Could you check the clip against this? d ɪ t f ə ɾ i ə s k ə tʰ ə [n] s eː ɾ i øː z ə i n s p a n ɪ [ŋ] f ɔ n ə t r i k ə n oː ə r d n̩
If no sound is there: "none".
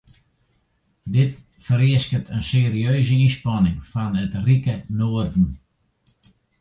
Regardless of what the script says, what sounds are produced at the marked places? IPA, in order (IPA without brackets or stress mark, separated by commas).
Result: n, ŋ